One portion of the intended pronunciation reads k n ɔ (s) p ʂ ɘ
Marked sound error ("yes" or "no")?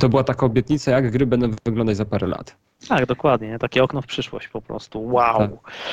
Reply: yes